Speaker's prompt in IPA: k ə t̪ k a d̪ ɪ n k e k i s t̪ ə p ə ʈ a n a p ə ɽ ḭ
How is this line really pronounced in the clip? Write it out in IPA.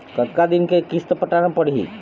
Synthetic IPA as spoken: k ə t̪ k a d̪ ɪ n k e k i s t̪ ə p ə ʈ a n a p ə ɽ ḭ